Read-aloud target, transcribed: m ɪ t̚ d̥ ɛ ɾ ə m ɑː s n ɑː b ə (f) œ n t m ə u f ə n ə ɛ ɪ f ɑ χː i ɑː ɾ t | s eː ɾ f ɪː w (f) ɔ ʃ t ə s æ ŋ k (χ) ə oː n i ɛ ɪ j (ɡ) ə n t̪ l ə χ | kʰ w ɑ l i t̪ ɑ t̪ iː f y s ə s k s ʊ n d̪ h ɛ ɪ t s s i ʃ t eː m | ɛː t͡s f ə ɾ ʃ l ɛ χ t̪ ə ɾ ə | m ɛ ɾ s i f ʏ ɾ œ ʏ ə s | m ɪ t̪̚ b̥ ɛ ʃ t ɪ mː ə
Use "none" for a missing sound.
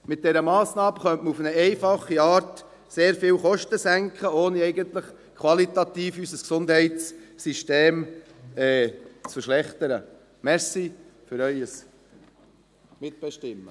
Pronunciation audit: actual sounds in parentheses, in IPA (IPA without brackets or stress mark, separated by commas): χ, χ, χ, ɡ